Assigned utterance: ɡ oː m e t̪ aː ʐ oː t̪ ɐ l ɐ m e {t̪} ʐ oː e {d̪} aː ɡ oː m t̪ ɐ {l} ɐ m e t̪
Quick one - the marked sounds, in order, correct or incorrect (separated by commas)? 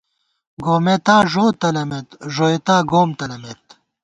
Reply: correct, incorrect, correct